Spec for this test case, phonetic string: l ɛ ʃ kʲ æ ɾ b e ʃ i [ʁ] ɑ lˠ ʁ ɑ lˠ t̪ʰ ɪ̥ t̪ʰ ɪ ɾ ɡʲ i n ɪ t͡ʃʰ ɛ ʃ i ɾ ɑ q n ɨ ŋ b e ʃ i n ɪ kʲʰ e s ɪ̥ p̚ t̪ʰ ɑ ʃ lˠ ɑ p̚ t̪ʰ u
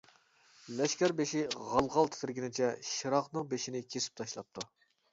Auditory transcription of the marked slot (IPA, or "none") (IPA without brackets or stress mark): ʁ